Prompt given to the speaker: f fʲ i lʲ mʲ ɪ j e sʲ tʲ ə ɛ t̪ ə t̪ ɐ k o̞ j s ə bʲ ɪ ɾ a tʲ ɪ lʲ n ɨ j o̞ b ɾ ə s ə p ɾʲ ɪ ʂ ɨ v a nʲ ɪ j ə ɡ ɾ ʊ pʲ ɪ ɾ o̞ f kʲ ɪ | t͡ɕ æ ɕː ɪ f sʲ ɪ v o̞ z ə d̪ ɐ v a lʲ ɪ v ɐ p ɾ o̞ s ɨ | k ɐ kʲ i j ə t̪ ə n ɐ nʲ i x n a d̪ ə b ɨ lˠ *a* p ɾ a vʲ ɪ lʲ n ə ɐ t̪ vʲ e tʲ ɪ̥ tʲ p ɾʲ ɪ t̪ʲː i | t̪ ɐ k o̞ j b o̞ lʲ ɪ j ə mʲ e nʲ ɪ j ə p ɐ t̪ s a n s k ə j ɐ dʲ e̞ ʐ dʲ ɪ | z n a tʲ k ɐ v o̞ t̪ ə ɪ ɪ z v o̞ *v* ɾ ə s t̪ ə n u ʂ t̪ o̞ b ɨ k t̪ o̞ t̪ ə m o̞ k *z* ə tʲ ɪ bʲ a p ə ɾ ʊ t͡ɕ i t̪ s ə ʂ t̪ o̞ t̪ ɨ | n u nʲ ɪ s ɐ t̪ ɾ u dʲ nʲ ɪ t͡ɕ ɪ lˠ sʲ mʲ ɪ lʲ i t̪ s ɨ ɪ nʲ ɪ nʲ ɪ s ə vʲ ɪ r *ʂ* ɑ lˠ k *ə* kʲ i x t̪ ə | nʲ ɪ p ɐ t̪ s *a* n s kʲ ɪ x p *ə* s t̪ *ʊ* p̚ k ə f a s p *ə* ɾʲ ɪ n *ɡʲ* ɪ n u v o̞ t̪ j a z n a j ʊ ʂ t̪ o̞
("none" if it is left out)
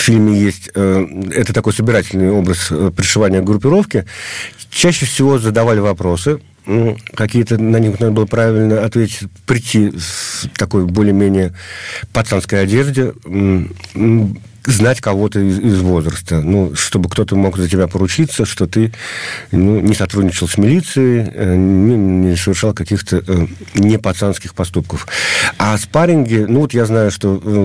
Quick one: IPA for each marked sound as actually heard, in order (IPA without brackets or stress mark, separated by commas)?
ə, z, z, ʂ, ɐ, a, ɐ, u, a, ɡʲ